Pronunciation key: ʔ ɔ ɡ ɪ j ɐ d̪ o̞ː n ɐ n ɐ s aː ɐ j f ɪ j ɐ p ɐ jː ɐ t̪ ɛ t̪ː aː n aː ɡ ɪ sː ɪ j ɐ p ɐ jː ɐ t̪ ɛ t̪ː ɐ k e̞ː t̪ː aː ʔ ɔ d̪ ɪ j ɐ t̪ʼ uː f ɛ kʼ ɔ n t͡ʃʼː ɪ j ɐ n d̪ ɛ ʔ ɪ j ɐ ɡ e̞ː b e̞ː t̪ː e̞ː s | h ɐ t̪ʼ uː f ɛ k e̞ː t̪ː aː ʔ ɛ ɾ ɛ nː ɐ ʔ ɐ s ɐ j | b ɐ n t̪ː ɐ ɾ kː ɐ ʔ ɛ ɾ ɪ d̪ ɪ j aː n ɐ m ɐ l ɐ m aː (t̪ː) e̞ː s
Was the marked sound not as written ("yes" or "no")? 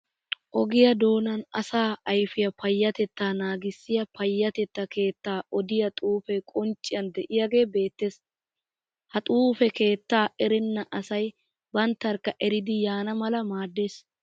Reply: yes